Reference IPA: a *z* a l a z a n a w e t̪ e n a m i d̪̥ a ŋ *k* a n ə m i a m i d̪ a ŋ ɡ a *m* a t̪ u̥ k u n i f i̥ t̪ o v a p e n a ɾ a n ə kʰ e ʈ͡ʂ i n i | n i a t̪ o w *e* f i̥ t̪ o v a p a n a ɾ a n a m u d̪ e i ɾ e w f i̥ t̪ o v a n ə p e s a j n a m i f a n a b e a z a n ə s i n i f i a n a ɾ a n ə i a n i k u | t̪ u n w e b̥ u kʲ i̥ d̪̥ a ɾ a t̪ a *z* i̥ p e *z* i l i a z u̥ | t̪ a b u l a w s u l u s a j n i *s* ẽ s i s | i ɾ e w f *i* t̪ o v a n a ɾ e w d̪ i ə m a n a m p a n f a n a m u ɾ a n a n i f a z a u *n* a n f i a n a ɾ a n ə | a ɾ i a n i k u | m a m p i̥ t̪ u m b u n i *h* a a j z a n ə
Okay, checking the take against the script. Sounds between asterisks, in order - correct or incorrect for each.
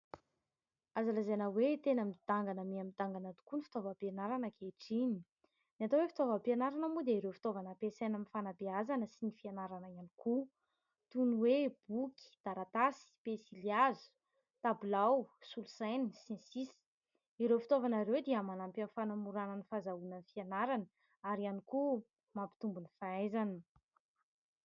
correct, incorrect: ɡ, incorrect: n, correct, incorrect: s, incorrect: s, correct, correct, correct, incorrect: f

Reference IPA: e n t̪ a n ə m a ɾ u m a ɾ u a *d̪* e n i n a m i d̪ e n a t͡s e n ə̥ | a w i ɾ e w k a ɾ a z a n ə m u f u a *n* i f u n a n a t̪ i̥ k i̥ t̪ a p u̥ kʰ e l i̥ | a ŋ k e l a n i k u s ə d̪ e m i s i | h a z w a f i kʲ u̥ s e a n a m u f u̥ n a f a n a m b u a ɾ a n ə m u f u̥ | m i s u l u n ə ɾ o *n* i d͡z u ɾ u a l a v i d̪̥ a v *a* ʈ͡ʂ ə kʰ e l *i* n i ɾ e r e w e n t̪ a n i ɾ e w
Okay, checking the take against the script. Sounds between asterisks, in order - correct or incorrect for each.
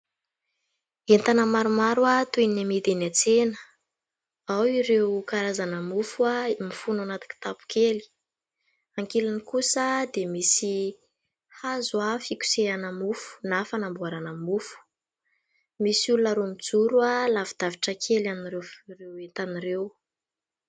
incorrect: t̪, incorrect: m, incorrect: m, incorrect: i, incorrect: a

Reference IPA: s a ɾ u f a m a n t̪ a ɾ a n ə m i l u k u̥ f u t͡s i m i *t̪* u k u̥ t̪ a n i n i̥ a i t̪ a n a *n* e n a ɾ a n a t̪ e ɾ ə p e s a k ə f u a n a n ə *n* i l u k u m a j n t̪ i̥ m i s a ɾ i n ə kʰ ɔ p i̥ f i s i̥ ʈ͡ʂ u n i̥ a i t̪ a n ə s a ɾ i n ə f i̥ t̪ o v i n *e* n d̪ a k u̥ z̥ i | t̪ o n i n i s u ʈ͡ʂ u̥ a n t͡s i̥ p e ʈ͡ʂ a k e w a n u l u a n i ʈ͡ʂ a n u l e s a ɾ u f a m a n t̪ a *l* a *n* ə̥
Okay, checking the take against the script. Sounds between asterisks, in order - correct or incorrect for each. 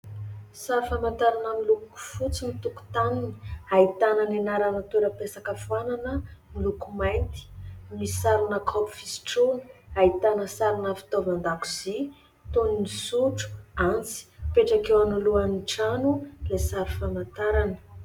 correct, correct, incorrect: m, incorrect: a, incorrect: ɾ, correct

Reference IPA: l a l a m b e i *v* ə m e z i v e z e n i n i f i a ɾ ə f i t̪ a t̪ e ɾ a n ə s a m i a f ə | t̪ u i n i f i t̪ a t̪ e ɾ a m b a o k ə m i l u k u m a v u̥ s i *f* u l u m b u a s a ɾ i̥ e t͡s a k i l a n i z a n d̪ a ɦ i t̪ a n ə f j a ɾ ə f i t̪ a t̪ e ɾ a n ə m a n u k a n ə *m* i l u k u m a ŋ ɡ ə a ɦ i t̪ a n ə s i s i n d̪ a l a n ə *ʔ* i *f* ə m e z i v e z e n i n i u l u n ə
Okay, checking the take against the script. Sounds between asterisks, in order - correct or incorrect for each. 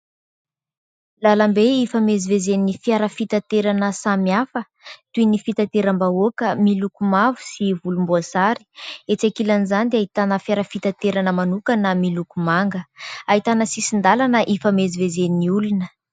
incorrect: f, incorrect: v, correct, correct, correct

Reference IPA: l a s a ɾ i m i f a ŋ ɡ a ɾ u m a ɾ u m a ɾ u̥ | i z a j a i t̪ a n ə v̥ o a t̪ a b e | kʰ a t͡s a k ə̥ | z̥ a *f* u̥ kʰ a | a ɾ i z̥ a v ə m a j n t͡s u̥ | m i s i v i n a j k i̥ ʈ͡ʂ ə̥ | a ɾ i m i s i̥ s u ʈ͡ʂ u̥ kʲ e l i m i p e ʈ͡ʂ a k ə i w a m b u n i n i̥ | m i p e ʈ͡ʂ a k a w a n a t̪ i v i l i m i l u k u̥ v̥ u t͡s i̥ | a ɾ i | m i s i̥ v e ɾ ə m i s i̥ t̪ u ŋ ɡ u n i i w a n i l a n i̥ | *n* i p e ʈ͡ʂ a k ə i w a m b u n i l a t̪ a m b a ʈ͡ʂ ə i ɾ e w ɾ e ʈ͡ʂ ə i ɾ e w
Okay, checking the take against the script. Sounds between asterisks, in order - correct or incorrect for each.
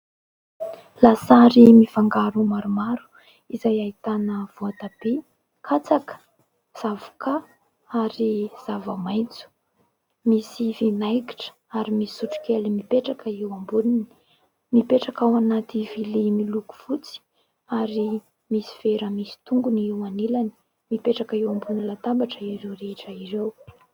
incorrect: v, incorrect: m

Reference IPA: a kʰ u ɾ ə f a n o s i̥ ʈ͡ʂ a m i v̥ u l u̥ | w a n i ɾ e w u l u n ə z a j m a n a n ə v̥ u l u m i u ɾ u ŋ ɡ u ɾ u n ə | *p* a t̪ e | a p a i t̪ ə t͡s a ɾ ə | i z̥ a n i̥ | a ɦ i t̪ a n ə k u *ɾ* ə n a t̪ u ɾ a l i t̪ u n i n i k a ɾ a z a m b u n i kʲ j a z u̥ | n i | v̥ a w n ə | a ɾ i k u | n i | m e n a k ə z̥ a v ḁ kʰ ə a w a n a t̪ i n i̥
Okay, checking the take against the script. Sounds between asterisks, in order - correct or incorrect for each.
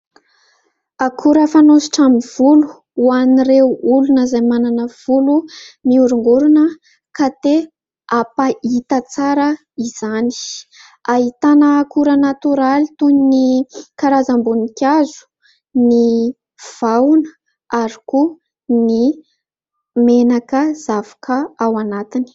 incorrect: k, correct

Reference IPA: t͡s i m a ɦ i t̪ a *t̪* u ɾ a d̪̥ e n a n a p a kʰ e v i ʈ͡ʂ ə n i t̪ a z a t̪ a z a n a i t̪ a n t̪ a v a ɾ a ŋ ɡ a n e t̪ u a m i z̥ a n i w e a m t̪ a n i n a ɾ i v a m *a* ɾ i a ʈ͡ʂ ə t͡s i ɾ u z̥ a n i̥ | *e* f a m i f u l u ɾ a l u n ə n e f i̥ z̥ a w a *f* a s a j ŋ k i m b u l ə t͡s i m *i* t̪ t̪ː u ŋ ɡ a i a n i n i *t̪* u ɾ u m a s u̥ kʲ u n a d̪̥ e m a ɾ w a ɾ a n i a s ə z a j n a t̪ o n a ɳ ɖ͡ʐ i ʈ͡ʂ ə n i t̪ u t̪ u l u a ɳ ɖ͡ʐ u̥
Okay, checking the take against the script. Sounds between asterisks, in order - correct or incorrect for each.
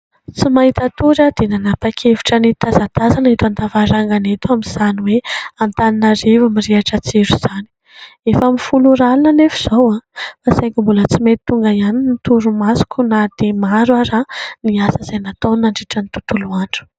correct, incorrect: i, correct, correct, incorrect: e, correct

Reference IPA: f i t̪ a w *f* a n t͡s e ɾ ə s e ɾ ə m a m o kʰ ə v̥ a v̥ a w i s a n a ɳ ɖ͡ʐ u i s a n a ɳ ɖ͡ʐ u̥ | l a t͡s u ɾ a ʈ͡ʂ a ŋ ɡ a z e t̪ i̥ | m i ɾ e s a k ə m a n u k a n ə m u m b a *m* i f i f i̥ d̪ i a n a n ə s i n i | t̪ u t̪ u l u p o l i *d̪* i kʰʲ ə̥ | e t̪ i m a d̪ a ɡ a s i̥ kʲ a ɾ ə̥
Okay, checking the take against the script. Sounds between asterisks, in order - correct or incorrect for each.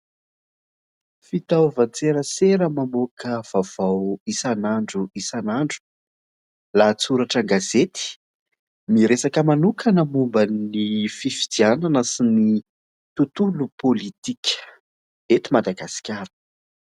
incorrect: v, incorrect: n, incorrect: t̪

